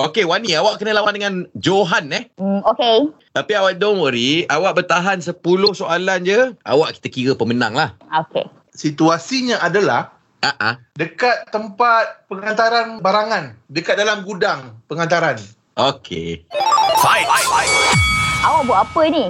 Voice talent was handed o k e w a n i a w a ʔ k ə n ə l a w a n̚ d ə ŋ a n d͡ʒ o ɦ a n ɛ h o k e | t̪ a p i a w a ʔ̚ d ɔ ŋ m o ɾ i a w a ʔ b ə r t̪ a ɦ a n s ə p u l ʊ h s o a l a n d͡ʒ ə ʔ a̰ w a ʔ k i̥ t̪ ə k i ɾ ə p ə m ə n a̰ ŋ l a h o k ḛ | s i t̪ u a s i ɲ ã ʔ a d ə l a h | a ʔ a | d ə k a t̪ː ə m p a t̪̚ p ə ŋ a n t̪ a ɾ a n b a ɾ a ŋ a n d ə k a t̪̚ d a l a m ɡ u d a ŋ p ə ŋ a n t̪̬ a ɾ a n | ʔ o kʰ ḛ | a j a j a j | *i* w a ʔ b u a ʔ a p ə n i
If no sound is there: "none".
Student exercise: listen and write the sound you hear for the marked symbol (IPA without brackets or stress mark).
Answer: a